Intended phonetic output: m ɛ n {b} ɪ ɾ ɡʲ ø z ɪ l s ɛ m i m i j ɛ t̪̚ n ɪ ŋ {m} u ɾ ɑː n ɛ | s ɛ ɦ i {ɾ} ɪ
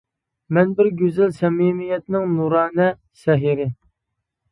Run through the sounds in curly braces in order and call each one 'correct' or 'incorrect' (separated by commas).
correct, incorrect, correct